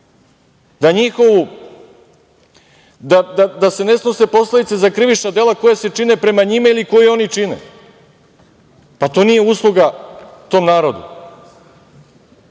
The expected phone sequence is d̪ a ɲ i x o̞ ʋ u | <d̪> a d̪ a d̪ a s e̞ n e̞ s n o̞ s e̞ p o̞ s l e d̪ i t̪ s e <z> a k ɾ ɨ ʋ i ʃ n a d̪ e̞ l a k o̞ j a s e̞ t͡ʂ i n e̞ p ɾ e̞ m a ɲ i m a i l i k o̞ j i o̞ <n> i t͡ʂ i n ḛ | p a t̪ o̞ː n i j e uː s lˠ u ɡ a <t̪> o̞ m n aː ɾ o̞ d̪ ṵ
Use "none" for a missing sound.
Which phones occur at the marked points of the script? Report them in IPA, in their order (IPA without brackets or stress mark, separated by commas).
d̪, z, n, t̪